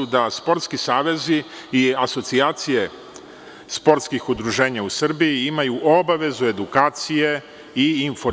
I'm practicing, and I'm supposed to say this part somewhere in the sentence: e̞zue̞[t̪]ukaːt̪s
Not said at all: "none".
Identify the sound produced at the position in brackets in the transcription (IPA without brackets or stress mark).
d̪